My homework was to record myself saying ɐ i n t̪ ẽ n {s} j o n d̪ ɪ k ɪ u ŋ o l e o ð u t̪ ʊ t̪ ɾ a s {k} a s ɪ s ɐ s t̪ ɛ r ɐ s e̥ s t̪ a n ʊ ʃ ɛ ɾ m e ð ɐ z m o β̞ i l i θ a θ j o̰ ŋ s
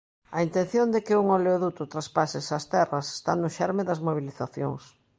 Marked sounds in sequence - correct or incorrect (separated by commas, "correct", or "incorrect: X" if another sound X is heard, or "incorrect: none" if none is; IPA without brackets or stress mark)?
incorrect: θ, incorrect: p